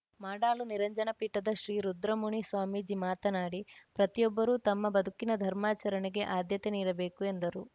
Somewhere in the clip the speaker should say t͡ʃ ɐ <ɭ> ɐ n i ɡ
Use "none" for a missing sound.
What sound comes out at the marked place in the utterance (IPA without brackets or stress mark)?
ɾ